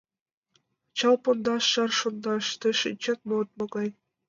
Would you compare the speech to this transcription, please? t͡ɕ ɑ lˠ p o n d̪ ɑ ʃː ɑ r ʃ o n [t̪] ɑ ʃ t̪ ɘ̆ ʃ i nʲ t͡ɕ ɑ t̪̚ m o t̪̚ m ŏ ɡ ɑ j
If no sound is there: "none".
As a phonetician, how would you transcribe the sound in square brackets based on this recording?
d̪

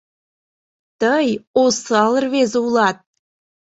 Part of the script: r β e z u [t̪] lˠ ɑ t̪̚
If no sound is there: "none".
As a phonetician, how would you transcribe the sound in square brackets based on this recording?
none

